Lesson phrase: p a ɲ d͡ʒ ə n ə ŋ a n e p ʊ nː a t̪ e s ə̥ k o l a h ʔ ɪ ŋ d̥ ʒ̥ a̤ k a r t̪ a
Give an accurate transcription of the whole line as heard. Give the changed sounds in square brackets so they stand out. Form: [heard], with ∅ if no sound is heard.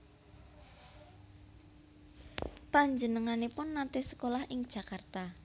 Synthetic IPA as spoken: p a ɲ d͡ʒ ə n ə ŋ a n e p ʊ nː a t̪ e s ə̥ k o l a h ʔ ɪ ŋ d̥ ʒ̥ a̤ k a r t̪ a